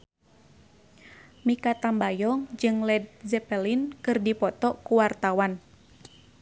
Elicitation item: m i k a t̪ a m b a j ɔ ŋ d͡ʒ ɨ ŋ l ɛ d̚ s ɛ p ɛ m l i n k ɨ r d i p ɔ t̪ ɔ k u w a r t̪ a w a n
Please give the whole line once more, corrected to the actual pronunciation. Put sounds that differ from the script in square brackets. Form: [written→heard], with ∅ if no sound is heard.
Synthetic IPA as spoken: m i k a t̪ a m b a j ɔ ŋ d͡ʒ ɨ ŋ l ɛ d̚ [s→z] ɛ p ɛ [m→∅] l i n k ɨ r d i p ɔ t̪ ɔ k u w a r t̪ a w a n